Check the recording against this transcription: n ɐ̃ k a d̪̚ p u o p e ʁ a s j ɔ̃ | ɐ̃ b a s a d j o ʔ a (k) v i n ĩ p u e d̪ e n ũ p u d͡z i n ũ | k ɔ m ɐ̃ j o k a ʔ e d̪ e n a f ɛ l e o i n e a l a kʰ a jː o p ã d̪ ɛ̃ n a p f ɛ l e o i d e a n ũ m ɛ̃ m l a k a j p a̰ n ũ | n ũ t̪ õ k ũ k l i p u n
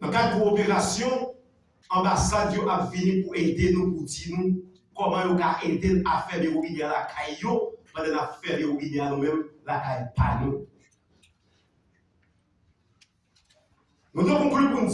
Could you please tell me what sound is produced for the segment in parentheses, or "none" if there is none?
p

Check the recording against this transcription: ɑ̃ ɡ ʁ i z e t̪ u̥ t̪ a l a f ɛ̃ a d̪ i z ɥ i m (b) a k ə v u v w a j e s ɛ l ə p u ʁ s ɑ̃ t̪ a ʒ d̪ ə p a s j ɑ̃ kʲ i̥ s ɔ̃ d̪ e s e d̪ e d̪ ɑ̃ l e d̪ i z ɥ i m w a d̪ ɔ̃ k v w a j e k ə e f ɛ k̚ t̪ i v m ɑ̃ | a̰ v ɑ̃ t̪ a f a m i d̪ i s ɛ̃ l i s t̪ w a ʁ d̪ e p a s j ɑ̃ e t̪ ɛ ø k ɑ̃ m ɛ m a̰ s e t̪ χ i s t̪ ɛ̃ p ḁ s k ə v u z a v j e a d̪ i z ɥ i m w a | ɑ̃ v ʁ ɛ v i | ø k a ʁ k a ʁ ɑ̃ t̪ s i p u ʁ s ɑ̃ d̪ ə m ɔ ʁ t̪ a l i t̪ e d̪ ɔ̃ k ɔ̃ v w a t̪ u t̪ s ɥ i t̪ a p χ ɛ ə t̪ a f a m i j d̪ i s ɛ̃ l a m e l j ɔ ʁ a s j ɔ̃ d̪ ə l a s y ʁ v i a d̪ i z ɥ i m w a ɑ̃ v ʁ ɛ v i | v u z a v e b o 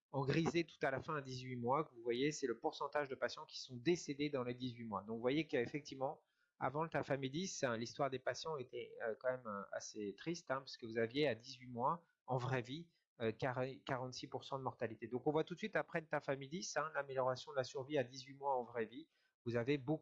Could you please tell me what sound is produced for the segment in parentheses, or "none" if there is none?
w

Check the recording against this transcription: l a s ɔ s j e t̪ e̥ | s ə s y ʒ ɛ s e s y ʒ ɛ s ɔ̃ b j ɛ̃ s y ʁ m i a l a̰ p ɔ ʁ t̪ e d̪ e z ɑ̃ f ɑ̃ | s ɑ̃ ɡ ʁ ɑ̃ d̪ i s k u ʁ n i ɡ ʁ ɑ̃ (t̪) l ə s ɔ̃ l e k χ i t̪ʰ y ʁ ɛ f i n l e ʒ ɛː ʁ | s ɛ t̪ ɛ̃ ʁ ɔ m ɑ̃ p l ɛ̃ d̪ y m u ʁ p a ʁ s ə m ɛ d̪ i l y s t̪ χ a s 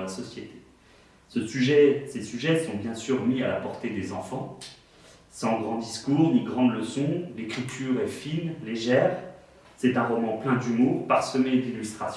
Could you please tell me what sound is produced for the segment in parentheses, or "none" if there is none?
d̪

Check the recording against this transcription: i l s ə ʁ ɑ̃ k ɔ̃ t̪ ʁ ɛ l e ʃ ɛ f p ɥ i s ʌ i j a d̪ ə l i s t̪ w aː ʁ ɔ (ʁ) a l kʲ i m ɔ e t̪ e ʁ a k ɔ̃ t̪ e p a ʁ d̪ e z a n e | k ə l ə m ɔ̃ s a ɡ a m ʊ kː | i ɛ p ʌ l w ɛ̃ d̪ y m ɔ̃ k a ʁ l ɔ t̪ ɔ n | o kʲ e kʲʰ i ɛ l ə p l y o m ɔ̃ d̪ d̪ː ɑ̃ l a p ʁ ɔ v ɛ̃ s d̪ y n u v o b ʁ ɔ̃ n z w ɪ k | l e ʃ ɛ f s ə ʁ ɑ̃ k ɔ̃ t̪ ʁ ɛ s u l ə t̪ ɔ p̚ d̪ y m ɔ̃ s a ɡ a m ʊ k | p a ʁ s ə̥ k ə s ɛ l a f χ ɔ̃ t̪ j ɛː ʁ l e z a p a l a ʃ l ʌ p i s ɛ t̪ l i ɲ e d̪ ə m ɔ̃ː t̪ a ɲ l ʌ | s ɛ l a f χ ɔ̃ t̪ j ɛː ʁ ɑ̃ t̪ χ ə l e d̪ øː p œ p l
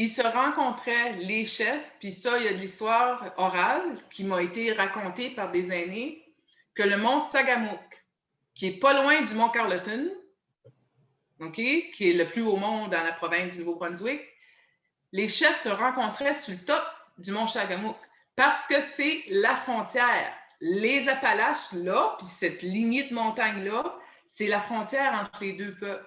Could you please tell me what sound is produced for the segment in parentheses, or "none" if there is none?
ʁ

